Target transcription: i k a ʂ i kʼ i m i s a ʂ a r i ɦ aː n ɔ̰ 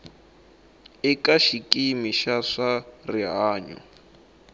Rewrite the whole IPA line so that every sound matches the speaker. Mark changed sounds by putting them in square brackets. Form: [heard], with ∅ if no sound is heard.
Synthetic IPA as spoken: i k a [ʃ] i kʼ i m i [ʃ] a ʂ a r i ɦ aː [ɲ] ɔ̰